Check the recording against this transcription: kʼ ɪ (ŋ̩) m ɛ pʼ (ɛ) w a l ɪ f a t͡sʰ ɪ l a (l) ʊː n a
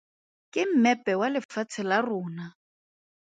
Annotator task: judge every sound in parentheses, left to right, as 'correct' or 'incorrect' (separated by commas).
incorrect, correct, incorrect